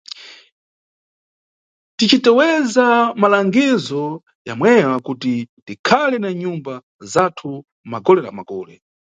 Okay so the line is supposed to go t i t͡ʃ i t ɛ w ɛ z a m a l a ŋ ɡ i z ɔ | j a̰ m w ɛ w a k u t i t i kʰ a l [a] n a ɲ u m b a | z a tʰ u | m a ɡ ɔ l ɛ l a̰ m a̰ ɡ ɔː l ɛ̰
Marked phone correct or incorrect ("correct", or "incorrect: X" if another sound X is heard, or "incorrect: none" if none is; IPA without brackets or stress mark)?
incorrect: ɛ